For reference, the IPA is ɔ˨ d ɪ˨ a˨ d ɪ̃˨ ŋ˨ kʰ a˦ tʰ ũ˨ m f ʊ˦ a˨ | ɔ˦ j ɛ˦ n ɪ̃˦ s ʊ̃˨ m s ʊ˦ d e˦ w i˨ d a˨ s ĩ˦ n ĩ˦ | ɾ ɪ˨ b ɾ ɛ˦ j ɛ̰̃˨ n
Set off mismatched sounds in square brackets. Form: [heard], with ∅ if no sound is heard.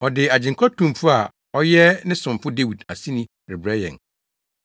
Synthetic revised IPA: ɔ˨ d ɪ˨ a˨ [d͡ʑ] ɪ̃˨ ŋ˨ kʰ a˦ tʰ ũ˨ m f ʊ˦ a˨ | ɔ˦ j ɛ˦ n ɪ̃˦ s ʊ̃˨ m [f] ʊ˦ d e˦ w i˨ d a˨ s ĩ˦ n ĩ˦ | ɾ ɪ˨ b ɾ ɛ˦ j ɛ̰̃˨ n

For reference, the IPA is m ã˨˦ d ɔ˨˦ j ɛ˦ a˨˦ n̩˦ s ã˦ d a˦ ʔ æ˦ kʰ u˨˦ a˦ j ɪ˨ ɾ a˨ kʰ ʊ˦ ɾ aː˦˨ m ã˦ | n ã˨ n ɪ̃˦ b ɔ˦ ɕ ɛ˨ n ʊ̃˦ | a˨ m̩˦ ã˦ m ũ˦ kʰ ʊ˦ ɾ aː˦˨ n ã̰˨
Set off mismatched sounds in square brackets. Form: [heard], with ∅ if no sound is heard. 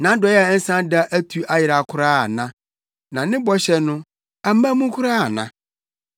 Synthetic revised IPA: [n] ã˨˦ d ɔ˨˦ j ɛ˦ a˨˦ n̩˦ s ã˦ d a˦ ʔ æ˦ [tʰ] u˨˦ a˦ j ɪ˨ ɾ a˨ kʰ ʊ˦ ɾ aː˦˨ [n] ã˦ | n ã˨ n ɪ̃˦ b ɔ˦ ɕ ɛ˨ n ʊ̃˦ | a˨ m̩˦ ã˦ m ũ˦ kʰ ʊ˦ ɾ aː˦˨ n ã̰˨

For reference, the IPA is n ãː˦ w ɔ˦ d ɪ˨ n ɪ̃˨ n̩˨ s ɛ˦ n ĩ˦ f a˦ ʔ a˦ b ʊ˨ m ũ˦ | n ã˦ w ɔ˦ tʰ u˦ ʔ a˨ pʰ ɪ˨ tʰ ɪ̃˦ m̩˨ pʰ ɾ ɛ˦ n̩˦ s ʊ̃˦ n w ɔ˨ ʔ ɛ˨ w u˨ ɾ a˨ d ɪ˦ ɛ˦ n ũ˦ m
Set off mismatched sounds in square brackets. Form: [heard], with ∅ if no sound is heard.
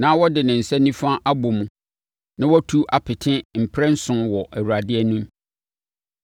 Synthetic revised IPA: n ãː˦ w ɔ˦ d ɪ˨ n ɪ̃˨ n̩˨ s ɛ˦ n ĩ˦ f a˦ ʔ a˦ b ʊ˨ m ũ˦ | n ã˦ w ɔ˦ tʰ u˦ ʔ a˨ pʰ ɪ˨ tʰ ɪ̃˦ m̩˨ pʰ ɾ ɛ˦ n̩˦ s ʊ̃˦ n w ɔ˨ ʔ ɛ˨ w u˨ ɾ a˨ d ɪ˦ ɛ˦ n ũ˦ m

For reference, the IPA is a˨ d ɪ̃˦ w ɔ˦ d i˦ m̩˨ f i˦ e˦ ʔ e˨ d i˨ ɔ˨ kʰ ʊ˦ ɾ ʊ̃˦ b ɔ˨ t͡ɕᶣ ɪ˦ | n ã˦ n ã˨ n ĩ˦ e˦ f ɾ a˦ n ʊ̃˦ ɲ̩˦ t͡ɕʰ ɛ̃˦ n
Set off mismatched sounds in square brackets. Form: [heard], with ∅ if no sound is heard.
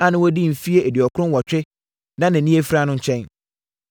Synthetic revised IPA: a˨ [n] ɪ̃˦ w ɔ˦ d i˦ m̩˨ f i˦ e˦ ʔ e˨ d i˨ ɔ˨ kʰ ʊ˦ ɾ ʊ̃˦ [w] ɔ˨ t͡ɕᶣ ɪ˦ | n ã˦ n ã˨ n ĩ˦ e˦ f ɾ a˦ n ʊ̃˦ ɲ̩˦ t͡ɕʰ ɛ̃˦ n

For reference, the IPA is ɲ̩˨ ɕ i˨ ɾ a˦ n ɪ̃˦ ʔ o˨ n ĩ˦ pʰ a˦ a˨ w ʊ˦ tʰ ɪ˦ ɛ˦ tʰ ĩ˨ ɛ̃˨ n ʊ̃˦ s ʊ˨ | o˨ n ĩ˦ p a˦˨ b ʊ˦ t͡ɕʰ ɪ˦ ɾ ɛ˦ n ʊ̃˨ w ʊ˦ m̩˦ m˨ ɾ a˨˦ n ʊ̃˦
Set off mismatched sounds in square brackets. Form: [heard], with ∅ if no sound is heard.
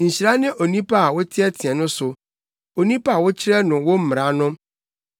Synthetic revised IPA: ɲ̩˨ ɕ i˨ ɾ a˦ n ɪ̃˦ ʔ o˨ n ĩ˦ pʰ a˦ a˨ w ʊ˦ tʰ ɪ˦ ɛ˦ tʰ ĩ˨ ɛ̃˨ n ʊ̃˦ s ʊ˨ | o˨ n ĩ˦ p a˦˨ [w] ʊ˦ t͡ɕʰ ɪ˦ ɾ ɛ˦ n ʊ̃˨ w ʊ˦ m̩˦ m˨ ɾ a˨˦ n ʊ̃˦

